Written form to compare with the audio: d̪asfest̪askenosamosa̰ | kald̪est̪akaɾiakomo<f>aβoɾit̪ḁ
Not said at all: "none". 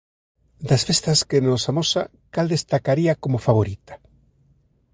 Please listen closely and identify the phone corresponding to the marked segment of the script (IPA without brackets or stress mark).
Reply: f